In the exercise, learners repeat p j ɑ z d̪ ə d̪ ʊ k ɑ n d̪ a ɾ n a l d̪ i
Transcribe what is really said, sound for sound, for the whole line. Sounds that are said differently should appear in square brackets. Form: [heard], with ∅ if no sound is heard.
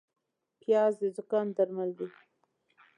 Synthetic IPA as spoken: p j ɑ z d̪ ə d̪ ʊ k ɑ n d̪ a ɾ [m] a l d̪ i